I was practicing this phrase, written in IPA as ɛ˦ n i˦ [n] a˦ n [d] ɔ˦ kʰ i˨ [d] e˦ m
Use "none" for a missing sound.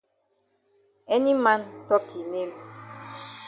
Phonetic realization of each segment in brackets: m, t, n

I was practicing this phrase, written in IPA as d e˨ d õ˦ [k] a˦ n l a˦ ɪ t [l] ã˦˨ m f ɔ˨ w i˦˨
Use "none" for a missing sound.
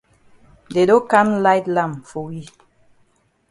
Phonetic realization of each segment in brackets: k, l

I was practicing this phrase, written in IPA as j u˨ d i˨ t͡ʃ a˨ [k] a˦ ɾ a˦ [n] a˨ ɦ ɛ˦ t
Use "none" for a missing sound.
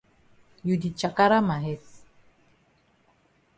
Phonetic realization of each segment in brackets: k, m

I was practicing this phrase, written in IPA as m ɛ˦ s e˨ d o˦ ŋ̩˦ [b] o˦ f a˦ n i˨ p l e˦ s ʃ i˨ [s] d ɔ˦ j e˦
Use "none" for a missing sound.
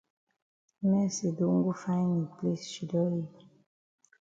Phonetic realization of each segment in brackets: ɡ, none

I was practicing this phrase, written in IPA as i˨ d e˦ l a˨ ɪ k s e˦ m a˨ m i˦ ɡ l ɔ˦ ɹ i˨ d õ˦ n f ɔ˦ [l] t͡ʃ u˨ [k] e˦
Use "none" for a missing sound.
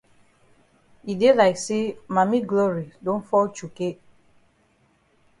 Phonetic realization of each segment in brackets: l, k

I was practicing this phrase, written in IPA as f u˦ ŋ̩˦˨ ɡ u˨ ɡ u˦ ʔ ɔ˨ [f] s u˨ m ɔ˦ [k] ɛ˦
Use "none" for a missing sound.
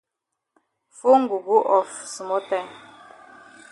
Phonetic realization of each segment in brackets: f, t

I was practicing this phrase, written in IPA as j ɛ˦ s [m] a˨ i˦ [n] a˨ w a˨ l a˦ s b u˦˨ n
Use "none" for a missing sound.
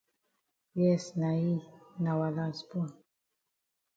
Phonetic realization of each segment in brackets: n, n

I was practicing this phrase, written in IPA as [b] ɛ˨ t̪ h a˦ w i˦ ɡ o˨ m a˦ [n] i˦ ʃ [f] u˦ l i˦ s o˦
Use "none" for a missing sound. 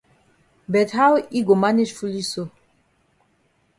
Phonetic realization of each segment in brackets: b, n, f

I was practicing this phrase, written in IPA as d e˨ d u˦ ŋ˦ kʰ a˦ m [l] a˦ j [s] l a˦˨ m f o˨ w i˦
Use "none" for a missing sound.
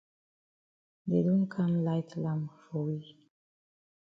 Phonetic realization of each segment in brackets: l, t

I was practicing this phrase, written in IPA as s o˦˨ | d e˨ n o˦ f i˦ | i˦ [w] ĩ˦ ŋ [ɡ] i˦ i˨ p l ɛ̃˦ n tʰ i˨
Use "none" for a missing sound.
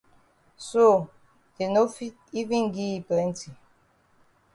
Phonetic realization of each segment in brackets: v, ɡ

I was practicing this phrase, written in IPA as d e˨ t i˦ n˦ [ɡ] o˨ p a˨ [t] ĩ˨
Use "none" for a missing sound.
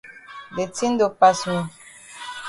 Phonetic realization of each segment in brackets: d, s

